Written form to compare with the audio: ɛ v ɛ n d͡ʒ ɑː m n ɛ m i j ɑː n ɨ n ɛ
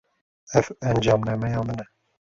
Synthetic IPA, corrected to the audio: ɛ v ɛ n d͡ʒ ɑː m n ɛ m ɛ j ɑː m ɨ n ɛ